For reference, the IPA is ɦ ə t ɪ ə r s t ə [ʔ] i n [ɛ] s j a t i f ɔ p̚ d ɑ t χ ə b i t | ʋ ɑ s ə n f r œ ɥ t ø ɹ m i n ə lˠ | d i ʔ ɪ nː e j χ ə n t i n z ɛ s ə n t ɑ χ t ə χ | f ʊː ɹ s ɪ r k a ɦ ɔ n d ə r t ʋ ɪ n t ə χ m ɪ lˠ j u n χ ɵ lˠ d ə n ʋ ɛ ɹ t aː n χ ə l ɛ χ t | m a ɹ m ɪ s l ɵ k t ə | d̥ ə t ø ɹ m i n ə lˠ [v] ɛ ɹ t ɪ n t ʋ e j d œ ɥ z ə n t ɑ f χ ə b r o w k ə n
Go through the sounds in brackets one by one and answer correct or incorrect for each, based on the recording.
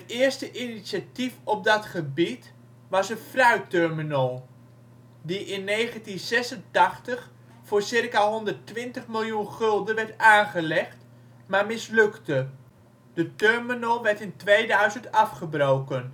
correct, incorrect: i, incorrect: ʋ

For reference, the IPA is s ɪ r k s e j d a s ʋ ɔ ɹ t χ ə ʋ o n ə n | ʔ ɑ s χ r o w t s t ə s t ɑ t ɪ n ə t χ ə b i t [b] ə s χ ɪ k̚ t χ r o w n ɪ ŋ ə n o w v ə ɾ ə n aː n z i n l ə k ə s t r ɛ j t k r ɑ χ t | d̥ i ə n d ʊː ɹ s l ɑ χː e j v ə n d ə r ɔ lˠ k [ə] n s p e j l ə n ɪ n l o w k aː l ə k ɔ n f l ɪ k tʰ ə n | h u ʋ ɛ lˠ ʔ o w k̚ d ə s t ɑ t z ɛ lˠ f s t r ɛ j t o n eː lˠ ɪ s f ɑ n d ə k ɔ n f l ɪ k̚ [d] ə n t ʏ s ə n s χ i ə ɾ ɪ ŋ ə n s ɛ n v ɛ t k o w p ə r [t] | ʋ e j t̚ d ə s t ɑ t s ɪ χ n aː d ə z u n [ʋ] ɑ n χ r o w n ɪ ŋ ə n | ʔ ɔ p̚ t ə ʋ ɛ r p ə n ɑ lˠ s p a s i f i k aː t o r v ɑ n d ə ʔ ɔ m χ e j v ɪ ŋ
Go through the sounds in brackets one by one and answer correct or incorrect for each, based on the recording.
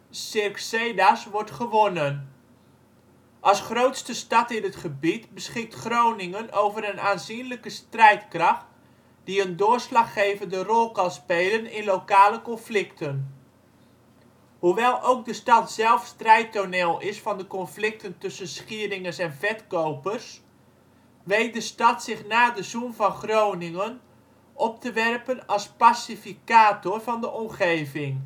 correct, incorrect: ɑ, incorrect: t, incorrect: s, incorrect: v

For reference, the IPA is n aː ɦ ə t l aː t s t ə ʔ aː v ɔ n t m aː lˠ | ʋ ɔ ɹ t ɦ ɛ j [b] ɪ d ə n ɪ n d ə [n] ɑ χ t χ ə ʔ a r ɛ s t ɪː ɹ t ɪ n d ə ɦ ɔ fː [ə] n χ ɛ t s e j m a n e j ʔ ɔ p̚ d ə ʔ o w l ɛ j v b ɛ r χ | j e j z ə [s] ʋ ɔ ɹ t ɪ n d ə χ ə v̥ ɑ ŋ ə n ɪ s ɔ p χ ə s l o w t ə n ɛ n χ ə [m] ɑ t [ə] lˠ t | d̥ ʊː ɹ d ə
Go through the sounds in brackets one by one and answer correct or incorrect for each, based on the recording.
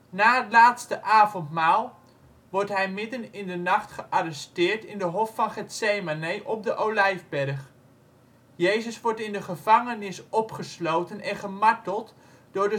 incorrect: m, correct, incorrect: ɑ, correct, correct, correct

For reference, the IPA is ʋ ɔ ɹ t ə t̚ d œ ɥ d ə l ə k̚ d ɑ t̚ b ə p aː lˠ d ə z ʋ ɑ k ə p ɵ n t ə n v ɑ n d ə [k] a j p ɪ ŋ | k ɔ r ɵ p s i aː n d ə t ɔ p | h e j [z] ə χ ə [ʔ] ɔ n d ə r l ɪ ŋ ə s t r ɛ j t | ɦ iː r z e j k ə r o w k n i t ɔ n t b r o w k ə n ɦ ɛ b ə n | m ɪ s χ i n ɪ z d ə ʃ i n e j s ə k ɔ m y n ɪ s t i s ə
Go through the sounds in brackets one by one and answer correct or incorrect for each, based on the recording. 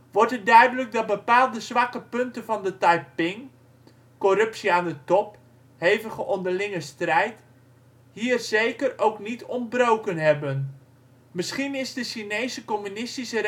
incorrect: t, incorrect: v, correct

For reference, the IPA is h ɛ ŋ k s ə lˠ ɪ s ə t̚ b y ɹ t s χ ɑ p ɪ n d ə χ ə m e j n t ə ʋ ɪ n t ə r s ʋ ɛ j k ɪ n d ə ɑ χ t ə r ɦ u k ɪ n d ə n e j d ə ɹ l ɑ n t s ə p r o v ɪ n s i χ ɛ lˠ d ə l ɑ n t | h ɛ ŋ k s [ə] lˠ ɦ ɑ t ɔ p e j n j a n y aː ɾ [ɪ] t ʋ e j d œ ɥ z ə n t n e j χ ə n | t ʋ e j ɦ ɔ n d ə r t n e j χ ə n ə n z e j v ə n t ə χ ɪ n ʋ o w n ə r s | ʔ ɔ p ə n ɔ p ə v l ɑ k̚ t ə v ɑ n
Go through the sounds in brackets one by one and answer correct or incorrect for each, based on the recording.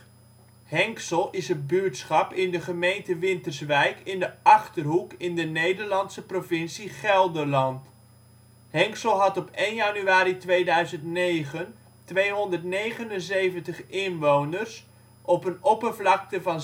correct, incorrect: i

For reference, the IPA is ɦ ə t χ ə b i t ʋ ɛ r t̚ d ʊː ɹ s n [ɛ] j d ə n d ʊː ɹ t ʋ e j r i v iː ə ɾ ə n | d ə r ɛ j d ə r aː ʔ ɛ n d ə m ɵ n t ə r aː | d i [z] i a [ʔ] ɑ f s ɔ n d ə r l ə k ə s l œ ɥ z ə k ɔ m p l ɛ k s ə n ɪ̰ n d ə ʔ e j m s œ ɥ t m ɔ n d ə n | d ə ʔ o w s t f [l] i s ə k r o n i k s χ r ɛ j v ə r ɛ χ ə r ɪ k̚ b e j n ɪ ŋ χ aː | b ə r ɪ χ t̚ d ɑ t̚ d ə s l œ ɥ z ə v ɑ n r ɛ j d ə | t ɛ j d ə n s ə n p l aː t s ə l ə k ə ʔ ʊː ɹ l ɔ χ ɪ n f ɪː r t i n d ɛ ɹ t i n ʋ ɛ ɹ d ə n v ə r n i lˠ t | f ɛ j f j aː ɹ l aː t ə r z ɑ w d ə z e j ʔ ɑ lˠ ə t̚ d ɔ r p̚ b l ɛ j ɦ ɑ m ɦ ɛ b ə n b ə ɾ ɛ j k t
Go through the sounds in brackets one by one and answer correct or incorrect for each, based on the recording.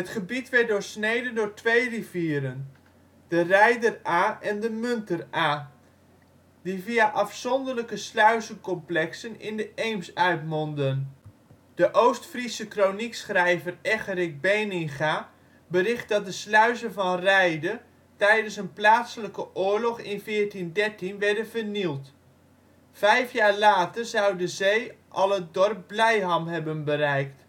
incorrect: e, incorrect: v, correct, incorrect: r

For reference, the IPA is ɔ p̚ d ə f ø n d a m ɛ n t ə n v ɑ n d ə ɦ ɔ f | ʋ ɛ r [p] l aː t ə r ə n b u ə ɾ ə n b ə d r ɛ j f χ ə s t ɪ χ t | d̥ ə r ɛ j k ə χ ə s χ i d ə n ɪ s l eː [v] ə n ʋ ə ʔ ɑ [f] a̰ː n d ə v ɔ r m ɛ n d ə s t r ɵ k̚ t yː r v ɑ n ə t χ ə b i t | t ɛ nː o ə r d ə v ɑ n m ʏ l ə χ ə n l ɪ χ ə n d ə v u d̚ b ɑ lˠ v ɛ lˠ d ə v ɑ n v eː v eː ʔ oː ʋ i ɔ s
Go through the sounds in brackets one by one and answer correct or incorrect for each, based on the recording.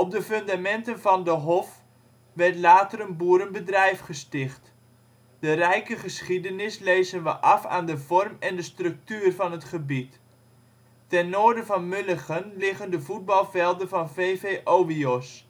incorrect: t, incorrect: z, correct

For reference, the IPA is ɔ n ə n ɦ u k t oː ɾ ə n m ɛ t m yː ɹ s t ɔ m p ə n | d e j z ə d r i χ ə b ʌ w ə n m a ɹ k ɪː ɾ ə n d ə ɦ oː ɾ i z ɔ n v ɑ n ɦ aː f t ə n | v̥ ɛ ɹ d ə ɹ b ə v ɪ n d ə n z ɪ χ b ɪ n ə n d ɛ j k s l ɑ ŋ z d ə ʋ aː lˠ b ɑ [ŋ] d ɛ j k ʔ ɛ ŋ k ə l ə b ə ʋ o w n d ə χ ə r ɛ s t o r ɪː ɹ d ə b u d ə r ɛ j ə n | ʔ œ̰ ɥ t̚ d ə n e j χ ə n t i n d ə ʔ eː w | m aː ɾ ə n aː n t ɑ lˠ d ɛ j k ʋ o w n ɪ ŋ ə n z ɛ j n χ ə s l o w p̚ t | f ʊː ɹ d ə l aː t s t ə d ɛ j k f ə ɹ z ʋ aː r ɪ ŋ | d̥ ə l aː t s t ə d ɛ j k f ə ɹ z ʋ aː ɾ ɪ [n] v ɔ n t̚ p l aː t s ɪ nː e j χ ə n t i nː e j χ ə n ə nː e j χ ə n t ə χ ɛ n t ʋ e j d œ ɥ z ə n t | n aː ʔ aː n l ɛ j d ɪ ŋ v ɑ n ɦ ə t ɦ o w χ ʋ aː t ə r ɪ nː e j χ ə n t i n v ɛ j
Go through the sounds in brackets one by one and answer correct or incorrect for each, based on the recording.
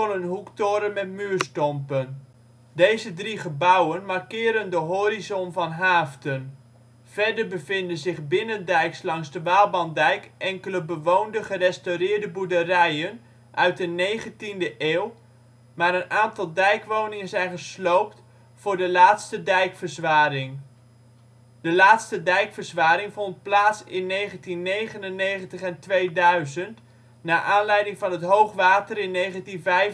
incorrect: n, incorrect: ŋ

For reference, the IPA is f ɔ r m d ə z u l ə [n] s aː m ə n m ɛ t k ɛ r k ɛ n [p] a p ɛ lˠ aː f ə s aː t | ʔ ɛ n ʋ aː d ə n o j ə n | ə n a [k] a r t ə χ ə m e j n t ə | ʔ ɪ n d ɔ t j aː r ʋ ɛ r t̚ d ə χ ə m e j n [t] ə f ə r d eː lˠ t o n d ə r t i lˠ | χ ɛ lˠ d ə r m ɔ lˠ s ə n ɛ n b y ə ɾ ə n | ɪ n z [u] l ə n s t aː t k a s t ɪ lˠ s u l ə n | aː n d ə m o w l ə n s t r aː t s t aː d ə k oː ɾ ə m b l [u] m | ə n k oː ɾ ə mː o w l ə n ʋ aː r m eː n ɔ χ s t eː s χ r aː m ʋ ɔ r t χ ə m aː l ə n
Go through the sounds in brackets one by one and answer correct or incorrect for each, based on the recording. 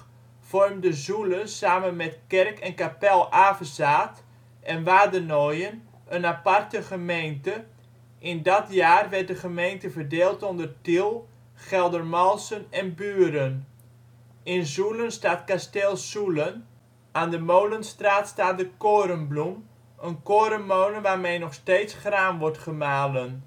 correct, incorrect: k, incorrect: p, correct, correct, correct

